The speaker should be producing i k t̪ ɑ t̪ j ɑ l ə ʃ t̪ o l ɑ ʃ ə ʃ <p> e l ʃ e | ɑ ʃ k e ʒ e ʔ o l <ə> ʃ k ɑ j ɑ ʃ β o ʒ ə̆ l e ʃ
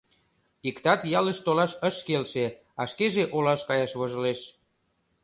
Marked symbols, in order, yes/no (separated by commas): no, no